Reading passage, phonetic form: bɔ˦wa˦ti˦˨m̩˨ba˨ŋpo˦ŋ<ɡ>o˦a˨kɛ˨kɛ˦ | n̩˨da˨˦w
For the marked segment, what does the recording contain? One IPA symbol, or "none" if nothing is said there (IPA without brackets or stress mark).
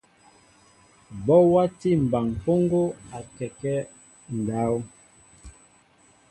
ɡ